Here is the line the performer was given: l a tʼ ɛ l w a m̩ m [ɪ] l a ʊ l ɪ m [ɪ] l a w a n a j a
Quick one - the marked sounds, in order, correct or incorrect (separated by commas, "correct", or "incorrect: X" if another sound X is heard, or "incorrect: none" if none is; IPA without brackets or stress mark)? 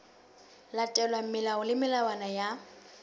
correct, correct